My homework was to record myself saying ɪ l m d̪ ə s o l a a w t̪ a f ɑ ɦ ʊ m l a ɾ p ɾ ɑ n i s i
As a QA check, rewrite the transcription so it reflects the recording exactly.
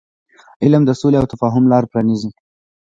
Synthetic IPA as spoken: ɪ l m d̪ ə s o l e a w t̪ a f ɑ ɦ ʊ m l ɑ ɾ p ɾ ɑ n i z i

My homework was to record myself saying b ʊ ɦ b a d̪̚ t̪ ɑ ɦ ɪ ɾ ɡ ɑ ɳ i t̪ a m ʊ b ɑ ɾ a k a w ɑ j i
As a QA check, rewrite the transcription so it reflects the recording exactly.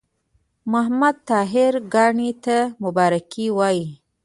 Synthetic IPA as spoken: m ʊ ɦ m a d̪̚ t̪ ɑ ɦ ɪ ɾ ɡ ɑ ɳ i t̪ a m ʊ b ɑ ɾ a k i w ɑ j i

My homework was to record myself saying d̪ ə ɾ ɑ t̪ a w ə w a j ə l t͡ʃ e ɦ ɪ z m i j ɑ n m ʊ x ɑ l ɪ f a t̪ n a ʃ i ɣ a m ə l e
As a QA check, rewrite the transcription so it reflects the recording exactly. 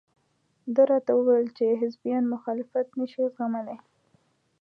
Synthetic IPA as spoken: d̪ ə ɾ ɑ t̪ a w ə w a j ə l t͡ʃ e ɦ ɪ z b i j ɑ n m ʊ x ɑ l ɪ f a t̪ n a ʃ i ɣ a m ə l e

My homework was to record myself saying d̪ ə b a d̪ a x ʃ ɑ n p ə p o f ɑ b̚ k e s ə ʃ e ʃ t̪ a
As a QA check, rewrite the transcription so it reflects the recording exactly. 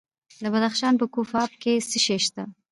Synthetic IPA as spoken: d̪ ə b a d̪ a x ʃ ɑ n p ə k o f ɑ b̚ k e s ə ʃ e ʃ t̪ a

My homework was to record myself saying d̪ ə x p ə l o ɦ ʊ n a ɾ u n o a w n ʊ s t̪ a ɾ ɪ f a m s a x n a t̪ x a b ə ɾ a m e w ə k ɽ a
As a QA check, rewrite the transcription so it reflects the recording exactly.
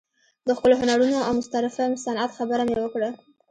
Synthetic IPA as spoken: d̪ ə x p ə l o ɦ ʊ n a ɾ u n o a w m ʊ s t̪ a ɾ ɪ f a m s a n a t̪ x a b ə ɾ a m e w ə k ɽ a

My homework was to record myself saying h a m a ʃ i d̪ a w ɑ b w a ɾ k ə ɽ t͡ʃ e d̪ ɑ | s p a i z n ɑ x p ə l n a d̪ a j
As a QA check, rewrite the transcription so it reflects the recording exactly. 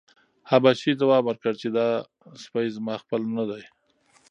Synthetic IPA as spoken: h a b a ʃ i d̪ a w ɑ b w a ɾ k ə ɽ t͡ʃ e d̪ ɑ | s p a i z m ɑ x p ə l n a d̪ a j

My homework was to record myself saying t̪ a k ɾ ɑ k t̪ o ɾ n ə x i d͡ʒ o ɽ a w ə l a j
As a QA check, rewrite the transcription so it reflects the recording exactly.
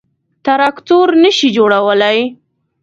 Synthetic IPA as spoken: t̪ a ɾ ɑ k t̪ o ɾ n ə ʃ i d͡ʒ o ɽ a w ə l a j

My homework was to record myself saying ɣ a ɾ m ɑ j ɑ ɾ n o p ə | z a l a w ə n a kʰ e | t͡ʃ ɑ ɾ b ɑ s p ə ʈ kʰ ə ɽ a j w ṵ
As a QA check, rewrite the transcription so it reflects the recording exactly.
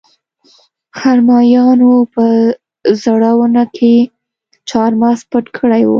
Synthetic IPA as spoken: x a ɾ m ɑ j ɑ n o p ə | z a ɽ a w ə n a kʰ e | t͡ʃ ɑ ɾ m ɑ s p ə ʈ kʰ ə ɽ a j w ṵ

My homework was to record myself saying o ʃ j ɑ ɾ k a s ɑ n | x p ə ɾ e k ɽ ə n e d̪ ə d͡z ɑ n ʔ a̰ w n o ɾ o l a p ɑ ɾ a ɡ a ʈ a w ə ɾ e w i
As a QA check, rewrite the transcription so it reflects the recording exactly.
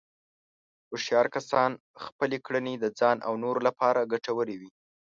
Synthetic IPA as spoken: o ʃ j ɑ ɾ k a s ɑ n | x p ə l e k ɽ ə n e d̪ ə d͡z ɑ n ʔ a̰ w n o ɾ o l a p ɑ ɾ a ɡ a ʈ a w ə ɾ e w i

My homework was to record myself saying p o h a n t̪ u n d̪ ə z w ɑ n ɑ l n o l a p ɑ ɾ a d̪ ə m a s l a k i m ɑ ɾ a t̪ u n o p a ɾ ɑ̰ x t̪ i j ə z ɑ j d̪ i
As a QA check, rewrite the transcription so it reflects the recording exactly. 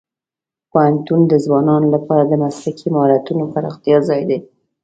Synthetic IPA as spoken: p o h a n t̪ u n d̪ ə z w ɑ n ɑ n o l a p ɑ ɾ a d̪ ə m a s l a k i m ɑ ɾ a t̪ u n o p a ɾ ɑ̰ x t̪ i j ɑ z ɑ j d̪ e

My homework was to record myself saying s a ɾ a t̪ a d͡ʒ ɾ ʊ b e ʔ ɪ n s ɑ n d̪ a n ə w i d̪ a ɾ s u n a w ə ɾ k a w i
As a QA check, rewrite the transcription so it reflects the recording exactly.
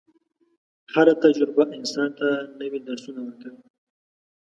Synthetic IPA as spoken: h a ɾ a t̪ a d͡ʒ ɾ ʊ b a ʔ ɪ n s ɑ n t̪ a n ə w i d̪ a ɾ s u n a w ə ɾ k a w i

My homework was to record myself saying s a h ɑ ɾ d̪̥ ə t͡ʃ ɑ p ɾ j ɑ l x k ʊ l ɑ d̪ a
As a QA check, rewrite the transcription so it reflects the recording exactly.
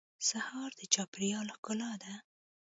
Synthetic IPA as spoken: s a h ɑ ɾ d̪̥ ə t͡ʃ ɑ p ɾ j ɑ l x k ʊ l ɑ d̪ a

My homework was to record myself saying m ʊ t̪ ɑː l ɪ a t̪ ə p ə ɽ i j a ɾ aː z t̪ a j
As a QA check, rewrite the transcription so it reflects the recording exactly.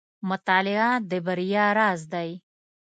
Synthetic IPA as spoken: m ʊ t̪ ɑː l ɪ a d̪ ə b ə ɾ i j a ɾ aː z d̪ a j

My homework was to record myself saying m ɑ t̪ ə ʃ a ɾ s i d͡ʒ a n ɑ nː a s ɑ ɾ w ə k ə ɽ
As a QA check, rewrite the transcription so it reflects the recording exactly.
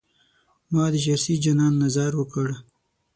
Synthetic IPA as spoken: m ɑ d̪ ə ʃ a ɾ s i d͡ʒ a n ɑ nː a z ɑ ɾ w ə k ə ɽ

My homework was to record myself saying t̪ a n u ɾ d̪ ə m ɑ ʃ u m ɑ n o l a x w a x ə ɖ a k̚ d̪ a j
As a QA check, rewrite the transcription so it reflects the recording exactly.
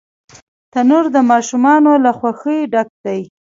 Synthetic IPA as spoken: t̪ a n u ɾ d̪ ə m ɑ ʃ u m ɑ n o l a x w a x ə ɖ a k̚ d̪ a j

